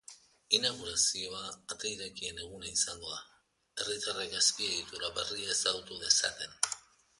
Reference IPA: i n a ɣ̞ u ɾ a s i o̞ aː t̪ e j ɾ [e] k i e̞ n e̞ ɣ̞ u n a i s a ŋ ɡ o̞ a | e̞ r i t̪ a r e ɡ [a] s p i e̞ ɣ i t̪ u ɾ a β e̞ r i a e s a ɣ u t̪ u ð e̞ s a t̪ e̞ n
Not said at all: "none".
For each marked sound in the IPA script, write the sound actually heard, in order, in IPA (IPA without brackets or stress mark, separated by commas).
e, a